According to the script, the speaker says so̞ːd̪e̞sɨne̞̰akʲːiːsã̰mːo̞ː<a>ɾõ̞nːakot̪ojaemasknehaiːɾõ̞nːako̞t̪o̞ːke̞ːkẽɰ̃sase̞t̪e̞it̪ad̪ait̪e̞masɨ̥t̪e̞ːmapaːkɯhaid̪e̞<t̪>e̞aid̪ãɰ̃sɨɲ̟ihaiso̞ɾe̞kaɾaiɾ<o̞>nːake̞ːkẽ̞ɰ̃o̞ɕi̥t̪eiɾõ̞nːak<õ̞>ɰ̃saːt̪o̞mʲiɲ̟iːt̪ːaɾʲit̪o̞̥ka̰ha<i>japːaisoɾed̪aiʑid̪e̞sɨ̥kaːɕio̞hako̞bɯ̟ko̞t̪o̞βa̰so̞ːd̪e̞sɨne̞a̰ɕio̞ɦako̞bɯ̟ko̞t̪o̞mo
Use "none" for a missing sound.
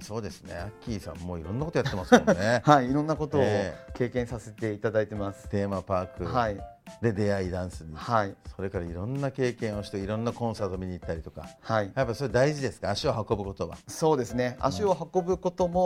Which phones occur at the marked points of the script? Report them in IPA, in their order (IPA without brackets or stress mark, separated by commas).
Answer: i, d̪, õ̞, õ̞, i